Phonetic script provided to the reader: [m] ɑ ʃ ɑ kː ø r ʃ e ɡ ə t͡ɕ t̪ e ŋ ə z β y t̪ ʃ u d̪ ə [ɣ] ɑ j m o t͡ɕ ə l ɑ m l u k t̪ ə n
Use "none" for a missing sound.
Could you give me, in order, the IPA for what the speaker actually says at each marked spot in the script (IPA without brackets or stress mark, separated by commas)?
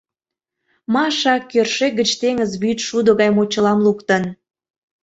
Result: m, ɣ